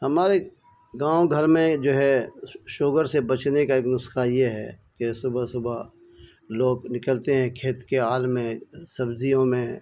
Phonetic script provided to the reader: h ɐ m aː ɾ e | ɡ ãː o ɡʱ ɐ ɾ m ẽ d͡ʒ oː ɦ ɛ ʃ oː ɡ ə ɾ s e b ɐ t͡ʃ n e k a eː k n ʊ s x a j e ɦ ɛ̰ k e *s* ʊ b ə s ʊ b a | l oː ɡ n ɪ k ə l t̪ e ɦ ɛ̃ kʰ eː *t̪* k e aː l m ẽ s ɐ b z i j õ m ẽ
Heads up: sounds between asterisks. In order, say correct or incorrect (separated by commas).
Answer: correct, correct